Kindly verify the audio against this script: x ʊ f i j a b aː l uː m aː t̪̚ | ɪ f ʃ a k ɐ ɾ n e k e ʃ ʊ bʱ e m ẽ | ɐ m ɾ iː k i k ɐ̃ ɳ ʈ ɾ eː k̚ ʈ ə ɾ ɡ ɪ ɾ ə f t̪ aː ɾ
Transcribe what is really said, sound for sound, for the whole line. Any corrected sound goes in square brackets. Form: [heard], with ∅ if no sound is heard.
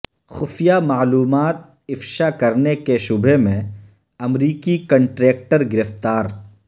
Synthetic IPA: x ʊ f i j a [m] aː l uː m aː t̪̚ | ɪ f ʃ a k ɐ ɾ n e k e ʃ ʊ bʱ e m ẽ | ɐ m ɾ iː k i k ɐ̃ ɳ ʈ ɾ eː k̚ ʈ ə ɾ ɡ ɪ ɾ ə f t̪ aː ɾ